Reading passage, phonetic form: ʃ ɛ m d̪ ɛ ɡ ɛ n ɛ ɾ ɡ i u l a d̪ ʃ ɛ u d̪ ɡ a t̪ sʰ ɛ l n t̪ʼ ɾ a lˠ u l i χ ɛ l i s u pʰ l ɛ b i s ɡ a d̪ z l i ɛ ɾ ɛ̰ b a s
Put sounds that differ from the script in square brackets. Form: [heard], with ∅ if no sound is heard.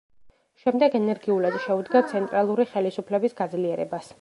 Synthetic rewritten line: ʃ ɛ m d̪ ɛ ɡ ɛ n ɛ ɾ ɡ i u l a d̪ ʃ ɛ u d̪ ɡ a t̪ sʰ ɛ [∅] n t̪ʼ ɾ a lˠ u [ɾ] i χ ɛ l i s u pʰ l ɛ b i s ɡ a d̪ z l i ɛ ɾ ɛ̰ b a s